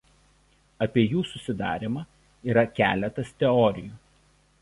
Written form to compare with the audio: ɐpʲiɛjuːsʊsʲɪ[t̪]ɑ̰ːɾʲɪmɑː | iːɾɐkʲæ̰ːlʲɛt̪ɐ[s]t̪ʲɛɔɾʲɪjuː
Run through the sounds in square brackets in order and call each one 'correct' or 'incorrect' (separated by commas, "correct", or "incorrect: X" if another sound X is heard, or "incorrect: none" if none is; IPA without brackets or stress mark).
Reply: incorrect: d̪, correct